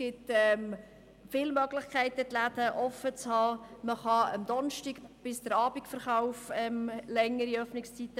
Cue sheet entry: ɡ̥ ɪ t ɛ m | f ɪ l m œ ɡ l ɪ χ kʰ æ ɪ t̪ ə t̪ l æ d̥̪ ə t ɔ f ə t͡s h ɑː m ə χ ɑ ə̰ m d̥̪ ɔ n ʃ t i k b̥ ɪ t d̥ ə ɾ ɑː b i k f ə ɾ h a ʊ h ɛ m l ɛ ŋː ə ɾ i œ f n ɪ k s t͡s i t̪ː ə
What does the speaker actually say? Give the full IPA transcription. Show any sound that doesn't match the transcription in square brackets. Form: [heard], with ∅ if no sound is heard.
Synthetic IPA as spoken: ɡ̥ ɪ t ɛ m | f ɪ l m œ ɡ l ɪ χ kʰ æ ɪ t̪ ə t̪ l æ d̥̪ ə [ʔ] ɔ f ə t͡s h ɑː m ə χ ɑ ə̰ m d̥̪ ɔ n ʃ t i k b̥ ɪ [s] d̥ ə ɾ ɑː b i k f ə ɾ [χ] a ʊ [f] ɛ m l ɛ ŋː ə ɾ i œ f n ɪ k s t͡s i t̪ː ə